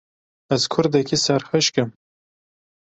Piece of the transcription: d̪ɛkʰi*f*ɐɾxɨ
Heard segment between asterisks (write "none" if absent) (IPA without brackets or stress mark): s